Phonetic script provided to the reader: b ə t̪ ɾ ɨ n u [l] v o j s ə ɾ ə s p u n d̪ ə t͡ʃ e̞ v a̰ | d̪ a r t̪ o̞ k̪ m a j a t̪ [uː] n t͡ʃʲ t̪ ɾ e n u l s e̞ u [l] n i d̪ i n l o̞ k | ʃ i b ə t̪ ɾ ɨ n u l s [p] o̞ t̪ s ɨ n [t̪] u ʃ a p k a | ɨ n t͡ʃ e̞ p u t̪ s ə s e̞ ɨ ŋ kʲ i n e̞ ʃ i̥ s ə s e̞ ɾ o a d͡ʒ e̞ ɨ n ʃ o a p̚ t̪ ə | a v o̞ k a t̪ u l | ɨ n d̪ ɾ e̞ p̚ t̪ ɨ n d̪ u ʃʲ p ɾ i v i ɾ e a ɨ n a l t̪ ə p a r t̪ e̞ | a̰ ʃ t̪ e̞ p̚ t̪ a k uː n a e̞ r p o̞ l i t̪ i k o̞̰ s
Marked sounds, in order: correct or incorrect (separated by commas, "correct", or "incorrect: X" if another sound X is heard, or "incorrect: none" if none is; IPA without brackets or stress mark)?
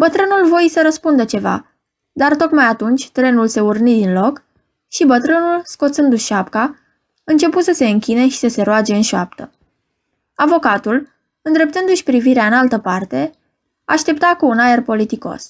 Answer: correct, incorrect: u, incorrect: r, incorrect: k, incorrect: d̪